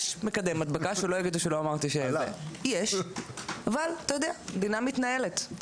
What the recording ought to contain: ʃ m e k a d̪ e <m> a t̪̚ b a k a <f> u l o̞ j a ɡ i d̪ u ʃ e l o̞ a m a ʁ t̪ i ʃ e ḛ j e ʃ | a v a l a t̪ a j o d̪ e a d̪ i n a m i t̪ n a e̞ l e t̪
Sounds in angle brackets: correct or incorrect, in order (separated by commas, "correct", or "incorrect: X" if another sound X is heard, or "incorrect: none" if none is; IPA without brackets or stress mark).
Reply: correct, incorrect: ʃ